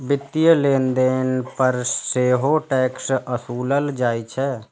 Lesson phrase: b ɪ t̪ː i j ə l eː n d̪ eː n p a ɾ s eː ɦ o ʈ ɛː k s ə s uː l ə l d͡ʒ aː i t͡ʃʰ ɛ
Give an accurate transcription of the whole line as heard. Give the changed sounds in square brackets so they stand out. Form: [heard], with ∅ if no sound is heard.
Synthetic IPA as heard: b ɪ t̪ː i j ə l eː n d̪ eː n p [ə] ɾ s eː ɦ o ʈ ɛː k s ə s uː l ə l d͡ʒ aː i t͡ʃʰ ɛ